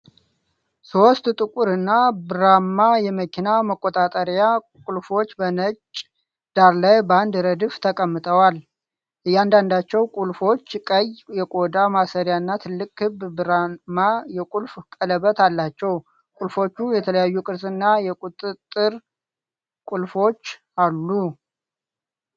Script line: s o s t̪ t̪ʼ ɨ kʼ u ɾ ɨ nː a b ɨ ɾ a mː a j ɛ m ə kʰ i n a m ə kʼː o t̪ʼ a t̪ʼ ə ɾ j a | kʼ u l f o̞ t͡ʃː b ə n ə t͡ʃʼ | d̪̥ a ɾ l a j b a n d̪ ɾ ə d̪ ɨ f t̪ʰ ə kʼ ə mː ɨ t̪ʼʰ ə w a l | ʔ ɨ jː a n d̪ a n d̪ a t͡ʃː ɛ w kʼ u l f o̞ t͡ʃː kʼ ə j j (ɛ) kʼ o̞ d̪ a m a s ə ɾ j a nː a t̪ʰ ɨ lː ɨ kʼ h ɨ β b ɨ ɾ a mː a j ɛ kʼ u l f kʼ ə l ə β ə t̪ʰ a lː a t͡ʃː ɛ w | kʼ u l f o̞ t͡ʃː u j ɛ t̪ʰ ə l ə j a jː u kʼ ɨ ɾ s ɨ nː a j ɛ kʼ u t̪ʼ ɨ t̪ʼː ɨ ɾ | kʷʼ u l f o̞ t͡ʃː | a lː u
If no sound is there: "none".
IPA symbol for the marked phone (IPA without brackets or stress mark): ɛ